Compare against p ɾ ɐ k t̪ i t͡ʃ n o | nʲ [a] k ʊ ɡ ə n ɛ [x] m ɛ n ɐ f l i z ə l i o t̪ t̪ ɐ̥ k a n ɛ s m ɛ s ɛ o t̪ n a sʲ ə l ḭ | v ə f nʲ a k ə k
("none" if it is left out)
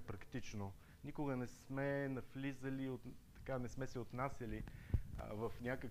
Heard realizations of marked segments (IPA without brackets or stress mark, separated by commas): i, s